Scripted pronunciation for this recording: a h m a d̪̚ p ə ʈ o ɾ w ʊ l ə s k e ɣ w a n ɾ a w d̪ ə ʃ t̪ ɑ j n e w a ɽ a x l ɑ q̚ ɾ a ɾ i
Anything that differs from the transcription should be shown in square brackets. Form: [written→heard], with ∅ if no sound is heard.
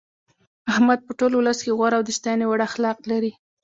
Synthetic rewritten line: a h m a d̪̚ p ə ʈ o [ɾ→l] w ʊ l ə s k e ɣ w a [n→∅] ɾ a w d̪ ə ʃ t̪ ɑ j n e w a ɽ a x l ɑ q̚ [ɾ→l] a ɾ i